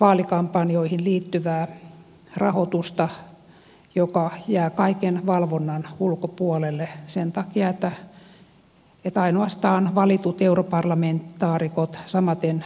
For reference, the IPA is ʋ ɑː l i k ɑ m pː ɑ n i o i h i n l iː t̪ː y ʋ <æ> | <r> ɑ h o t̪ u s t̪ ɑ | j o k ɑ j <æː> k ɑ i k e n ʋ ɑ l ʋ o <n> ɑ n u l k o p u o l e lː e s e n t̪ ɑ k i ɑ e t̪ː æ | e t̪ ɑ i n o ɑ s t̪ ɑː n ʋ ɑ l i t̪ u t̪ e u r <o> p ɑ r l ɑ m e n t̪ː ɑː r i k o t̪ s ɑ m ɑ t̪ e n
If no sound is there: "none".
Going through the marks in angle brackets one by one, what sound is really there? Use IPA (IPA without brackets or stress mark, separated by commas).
æː, r, æː, nː, o